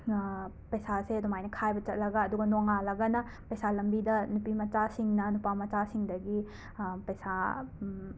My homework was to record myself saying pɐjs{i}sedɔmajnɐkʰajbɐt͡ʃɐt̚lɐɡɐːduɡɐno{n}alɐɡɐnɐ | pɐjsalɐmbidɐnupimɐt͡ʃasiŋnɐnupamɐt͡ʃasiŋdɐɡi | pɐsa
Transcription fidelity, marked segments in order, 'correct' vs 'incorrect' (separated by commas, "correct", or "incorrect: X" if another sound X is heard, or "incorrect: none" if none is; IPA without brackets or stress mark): incorrect: a, incorrect: ŋ